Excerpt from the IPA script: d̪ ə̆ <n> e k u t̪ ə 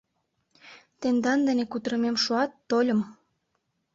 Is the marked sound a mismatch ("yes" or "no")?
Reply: no